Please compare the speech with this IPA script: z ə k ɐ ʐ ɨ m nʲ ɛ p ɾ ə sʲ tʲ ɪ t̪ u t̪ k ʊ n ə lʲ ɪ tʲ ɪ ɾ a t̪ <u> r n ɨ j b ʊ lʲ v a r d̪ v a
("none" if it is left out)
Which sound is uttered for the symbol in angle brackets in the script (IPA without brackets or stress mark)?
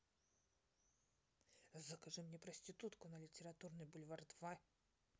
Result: u